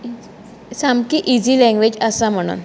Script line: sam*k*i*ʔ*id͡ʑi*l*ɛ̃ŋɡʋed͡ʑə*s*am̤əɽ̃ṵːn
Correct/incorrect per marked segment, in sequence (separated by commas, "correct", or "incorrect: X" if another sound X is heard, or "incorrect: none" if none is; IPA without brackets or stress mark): correct, correct, correct, correct